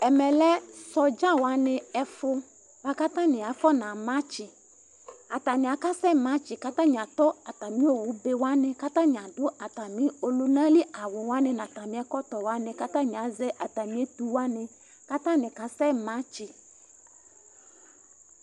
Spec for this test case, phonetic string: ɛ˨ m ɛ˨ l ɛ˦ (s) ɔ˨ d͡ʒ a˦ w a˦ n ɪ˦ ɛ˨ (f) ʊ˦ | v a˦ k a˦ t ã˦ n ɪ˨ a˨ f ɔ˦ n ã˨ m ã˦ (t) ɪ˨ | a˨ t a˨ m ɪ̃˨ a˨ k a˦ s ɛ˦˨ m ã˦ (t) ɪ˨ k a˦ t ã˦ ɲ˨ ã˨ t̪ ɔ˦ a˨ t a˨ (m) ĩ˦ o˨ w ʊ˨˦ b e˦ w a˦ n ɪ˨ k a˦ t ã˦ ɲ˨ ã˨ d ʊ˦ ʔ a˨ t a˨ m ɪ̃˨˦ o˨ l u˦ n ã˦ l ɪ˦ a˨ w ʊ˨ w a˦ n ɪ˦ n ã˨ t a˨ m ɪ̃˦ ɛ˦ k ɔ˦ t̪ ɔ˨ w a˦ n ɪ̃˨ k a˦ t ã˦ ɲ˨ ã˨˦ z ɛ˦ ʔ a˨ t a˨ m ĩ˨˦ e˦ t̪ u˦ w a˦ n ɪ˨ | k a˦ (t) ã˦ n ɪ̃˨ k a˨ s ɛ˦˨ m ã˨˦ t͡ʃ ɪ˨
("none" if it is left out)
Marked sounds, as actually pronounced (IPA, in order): s, f, t͡ʃ, t͡ʃ, m, t

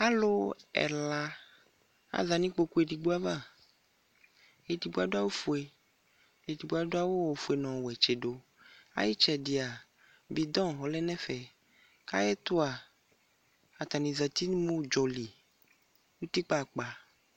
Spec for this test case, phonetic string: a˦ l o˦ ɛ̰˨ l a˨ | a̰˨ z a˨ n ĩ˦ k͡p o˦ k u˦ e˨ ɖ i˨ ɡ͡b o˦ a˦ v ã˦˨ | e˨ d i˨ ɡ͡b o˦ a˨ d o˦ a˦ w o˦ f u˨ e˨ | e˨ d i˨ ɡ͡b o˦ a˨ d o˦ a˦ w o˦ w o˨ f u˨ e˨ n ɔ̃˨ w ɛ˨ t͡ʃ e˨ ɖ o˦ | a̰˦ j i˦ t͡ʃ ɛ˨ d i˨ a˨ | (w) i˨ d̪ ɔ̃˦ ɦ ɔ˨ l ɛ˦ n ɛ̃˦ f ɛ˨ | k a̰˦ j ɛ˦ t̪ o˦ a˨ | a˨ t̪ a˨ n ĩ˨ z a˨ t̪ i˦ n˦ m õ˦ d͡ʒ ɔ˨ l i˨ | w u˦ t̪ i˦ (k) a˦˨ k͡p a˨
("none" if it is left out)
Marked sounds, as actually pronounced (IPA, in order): b, k͡p

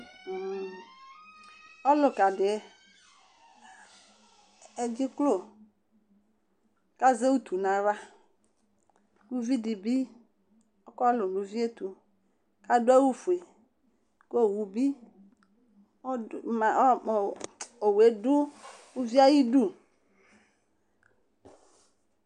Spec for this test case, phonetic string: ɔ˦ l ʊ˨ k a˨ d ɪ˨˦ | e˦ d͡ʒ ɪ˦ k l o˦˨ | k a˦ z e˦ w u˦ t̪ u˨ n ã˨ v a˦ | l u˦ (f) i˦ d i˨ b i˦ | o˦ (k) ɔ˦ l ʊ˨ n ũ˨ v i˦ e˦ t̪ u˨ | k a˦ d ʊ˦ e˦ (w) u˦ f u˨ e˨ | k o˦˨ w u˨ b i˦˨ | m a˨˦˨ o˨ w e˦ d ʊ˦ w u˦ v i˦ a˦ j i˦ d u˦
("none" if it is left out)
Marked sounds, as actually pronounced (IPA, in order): v, k, w

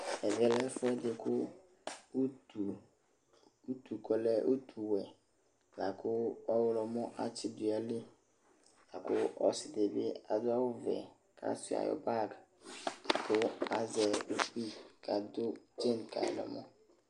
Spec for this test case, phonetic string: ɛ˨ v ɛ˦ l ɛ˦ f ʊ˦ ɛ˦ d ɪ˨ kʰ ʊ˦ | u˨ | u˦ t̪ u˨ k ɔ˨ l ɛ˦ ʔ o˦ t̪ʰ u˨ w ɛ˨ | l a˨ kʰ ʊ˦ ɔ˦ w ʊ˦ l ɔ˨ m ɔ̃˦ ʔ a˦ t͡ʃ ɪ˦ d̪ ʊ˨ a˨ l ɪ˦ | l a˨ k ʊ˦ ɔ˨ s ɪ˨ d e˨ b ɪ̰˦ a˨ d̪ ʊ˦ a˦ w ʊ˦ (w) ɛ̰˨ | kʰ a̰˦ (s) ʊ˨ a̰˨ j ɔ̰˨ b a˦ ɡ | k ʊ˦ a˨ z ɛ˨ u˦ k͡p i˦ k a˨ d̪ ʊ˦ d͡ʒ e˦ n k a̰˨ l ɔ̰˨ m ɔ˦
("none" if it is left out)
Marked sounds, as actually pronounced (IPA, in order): v, s

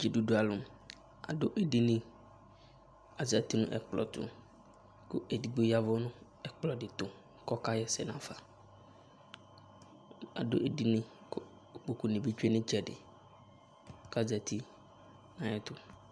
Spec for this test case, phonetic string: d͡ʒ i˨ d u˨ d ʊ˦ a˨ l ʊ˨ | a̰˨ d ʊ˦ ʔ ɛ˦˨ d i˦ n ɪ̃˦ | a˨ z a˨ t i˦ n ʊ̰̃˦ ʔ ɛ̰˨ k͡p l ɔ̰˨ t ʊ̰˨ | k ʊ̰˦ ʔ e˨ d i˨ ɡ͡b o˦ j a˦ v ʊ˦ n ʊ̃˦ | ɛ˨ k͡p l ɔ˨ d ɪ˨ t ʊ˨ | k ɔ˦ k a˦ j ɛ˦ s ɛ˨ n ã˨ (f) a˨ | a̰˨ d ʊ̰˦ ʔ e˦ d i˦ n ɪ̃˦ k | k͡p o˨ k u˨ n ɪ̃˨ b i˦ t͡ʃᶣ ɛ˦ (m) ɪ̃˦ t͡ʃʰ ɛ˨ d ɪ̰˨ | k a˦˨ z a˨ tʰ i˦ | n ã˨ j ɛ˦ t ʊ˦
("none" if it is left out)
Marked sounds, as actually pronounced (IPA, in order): f, n

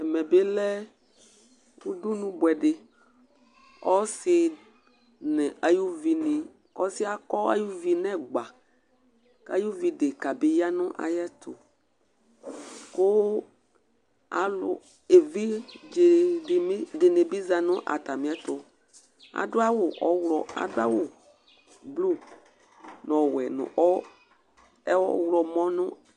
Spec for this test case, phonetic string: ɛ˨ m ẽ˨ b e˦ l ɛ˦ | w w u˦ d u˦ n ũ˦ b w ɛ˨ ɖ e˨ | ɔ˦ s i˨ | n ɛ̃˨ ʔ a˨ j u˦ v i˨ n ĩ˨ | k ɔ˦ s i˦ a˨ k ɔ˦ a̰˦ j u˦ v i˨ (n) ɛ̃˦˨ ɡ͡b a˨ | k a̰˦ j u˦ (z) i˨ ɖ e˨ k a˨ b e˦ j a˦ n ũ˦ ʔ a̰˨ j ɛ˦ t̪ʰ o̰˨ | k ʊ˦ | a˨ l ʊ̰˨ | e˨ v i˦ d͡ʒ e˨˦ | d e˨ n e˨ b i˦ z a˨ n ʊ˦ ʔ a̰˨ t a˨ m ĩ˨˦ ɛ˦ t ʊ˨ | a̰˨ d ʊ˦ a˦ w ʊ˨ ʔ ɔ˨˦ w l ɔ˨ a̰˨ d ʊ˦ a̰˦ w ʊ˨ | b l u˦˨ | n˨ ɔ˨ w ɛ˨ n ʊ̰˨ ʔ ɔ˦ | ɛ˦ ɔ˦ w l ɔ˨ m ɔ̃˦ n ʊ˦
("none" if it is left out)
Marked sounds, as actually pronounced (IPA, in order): n, v

